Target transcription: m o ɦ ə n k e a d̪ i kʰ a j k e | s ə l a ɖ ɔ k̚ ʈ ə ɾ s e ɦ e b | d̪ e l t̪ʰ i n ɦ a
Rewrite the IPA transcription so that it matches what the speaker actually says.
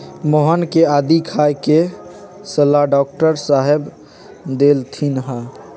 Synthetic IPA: m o ɦ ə n k e a d̪ i kʰ a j k e | s ə l a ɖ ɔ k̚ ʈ ə ɾ s a ɦ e b | d̪ e l t̪ʰ i n ɦ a